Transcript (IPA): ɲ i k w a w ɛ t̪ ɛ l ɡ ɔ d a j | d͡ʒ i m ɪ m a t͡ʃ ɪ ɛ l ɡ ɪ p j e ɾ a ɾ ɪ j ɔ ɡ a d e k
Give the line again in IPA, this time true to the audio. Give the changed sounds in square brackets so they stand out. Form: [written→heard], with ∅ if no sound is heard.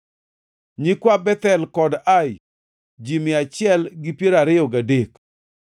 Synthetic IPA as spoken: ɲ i k w a [w→b] ɛ t̪ ɛ l [ɡ→k] ɔ d a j | d͡ʒ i m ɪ [m→∅] a t͡ʃ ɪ ɛ l ɡ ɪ p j e ɾ a ɾ ɪ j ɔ ɡ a d e k